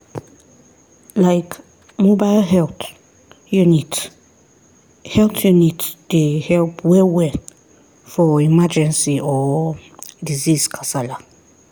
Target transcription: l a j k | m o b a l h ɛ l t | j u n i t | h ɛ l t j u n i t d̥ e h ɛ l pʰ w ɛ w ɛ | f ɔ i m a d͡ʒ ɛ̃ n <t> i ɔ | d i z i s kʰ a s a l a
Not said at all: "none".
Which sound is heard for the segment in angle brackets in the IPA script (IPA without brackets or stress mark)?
s